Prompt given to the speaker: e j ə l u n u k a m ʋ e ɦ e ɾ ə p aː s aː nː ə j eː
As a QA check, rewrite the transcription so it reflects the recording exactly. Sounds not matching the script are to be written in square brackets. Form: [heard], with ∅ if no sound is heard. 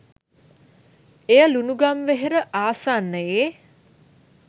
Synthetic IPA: e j ə l u n u [ɡ] a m ʋ e ɦ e ɾ ə [ʔ] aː s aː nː ə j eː